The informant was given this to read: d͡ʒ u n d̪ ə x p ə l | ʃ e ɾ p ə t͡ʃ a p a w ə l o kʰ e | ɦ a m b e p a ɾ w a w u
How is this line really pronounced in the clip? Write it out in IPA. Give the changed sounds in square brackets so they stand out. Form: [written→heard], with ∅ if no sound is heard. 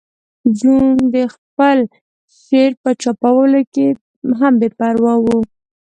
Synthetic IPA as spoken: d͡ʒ u n d̪ ə x p ə l | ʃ e ɾ p ə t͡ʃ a p a w ə l o [kʰ→k] e | ɦ a m b e p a ɾ w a w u

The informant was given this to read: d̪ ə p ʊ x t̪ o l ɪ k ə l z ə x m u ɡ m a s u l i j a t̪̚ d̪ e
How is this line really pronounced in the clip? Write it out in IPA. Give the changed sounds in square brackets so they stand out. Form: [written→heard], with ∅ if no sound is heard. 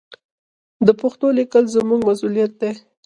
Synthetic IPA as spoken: d̪ ə p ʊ x t̪ o l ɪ k ə l z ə [x→∅] m u ɡ m a s u l i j a t̪̚ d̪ e

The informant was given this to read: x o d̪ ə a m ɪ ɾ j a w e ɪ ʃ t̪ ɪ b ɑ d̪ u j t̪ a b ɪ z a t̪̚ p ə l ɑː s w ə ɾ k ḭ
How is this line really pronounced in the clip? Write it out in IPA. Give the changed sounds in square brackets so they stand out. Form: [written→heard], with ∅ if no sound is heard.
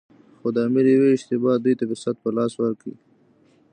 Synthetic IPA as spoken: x o d̪ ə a m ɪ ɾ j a w e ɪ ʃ t̪ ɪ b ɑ d̪ u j t̪ a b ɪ [z→s] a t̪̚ p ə l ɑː s w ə ɾ k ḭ

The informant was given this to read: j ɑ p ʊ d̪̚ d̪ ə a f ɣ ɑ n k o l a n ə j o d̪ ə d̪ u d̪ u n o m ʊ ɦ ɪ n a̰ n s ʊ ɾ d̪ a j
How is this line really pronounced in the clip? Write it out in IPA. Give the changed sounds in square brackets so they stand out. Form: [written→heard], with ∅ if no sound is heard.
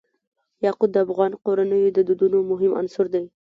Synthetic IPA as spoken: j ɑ [p→q] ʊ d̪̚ d̪ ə a f ɣ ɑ n [k→q] o [l→ɾ] a n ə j o d̪ ə d̪ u d̪ u n o m ʊ ɦ ɪ [n→m] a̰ n s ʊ ɾ d̪ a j

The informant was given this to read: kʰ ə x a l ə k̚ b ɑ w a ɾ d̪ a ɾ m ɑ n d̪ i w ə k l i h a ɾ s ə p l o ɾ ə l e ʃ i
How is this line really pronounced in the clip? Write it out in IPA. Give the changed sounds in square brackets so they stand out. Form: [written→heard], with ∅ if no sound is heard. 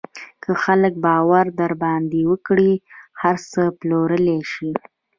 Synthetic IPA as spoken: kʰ ə x a l ə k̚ b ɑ w a ɾ d̪ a ɾ [m→b] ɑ n d̪ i w ə k [l→ɽ] i h a ɾ s ə p l o ɾ ə l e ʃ i

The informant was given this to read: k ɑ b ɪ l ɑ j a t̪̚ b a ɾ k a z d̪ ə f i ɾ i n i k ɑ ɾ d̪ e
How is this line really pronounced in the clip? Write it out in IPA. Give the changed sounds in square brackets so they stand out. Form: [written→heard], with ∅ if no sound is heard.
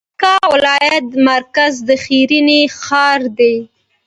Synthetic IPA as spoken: k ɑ [b→w] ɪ l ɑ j a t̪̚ [b→m] a ɾ k a z d̪ ə [f→x] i ɾ i n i [k→x] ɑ ɾ d̪ e

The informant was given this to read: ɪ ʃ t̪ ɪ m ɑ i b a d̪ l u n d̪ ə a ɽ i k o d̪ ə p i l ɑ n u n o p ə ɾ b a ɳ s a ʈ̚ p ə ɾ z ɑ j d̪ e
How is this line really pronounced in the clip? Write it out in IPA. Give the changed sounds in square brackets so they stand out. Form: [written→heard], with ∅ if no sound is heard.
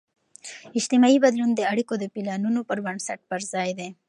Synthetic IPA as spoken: ɪ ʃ t̪ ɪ m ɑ i b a d̪ l u n d̪ ə a ɽ i k o d̪ ə p i l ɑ n u n o p ə ɾ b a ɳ s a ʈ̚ p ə ɾ z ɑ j d̪ e

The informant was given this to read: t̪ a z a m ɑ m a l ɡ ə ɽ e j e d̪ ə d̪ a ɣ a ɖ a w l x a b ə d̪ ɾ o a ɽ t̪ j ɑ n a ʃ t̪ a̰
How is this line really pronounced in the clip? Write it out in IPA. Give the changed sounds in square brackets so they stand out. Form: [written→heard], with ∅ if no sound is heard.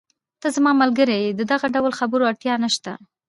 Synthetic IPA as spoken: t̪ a z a m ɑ m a l ɡ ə [ɽ→ɾ] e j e d̪ ə d̪ a ɣ a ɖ a w l x a b ə [d̪→∅] ɾ o a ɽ t̪ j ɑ n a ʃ t̪ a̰

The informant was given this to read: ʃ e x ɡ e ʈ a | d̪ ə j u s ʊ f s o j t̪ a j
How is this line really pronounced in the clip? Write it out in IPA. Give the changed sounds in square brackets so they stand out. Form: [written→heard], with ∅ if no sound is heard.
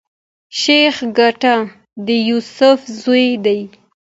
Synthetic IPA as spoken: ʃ e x ɡ [e→a] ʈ a | d̪ ə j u s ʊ f [s→z] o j [t̪→d̪] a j

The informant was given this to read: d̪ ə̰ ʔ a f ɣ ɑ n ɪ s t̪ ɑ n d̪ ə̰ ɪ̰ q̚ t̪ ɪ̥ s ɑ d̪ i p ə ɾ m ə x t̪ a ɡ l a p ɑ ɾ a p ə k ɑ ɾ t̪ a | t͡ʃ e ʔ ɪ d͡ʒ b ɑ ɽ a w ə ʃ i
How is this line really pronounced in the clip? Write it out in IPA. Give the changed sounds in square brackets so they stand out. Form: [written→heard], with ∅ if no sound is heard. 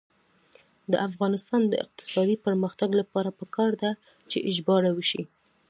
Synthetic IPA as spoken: d̪ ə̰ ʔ a f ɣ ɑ n ɪ s t̪ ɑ n d̪ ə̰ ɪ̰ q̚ t̪ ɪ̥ s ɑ d̪ i p ə ɾ m ə x t̪ a ɡ l a p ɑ ɾ a p ə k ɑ ɾ [t̪→d̪] a | t͡ʃ e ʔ ɪ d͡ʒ b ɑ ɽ a w ə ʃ i

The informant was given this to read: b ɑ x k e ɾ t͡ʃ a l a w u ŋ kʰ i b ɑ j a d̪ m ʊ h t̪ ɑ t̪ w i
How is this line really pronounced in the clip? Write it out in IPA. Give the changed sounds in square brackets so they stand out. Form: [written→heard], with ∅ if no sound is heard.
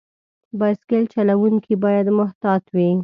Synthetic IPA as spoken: b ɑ [x→s] k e [ɾ→l] t͡ʃ a l a w u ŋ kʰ i b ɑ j a d̪ m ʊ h t̪ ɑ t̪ w i

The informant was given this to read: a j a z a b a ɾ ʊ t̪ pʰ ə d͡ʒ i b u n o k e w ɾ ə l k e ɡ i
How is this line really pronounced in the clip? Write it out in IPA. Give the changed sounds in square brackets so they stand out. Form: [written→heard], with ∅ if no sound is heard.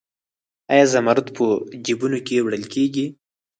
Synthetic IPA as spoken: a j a z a [b→m] a ɾ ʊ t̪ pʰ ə d͡ʒ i b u n o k e w [ɾ→ɽ] ə l k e ɡ i

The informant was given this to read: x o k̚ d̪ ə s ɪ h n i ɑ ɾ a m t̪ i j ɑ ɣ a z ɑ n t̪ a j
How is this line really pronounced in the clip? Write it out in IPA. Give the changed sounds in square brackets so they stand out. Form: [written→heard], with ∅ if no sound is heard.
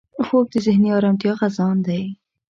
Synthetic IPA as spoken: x o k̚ d̪ ə [s→z] ɪ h n i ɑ ɾ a m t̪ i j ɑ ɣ a z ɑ n [t̪→d̪] a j

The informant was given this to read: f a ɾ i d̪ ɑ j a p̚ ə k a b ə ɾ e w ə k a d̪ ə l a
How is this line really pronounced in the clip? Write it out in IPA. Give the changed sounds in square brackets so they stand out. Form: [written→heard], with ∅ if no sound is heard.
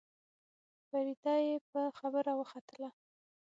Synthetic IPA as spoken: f a ɾ i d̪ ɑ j [a→e] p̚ ə [k→x] a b ə ɾ [e→a] w ə [k→x] a [d̪→t̪] ə l a

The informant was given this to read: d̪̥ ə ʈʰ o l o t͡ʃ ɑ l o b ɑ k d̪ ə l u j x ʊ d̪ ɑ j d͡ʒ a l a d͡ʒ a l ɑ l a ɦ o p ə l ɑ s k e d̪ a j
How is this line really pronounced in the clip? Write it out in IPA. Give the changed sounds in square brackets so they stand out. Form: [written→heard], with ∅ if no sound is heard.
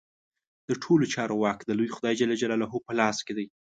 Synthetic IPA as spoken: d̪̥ ə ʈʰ o l o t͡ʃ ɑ [l→ɾ] o [b→w] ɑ k d̪ ə l u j x ʊ d̪ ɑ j d͡ʒ a l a d͡ʒ a l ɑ l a ɦ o p ə l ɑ s k e d̪ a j

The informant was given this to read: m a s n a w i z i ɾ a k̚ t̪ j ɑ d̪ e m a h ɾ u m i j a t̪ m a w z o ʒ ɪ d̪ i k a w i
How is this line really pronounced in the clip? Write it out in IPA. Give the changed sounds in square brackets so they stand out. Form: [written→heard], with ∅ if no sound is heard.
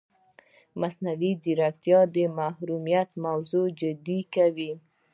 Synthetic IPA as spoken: m a s n a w i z i ɾ a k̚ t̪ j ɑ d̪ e m a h ɾ u m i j a t̪ m a w z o [ʒ→d͡ʒ] ɪ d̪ i k a w i

